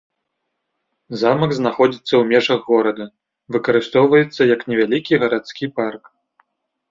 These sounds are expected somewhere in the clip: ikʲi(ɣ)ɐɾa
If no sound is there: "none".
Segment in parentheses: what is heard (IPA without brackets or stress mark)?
ɣ